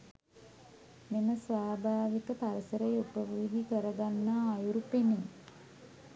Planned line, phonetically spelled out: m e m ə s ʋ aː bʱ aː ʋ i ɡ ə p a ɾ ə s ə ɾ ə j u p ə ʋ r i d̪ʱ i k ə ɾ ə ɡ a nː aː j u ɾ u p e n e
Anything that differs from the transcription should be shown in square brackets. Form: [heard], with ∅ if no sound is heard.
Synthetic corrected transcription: m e m ə s ʋ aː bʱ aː ʋ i [k] ə p a ɾ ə s ə ɾ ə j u p ə ʋ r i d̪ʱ i k ə ɾ ə ɡ a nː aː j u ɾ u p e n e